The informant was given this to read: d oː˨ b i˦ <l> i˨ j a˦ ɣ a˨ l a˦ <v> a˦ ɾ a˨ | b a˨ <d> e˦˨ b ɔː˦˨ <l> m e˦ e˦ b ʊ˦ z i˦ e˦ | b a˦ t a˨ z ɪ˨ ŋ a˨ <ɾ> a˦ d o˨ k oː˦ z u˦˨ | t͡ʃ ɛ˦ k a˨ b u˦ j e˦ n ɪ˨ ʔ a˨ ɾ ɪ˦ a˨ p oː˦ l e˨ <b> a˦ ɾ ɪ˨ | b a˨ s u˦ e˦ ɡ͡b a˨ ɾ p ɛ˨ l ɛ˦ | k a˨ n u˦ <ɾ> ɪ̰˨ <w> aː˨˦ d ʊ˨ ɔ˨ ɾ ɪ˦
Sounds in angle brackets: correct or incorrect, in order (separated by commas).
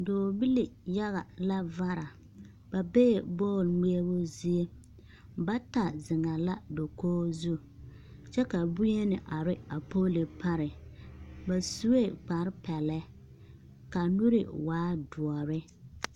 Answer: correct, correct, incorrect, correct, incorrect, incorrect, correct, correct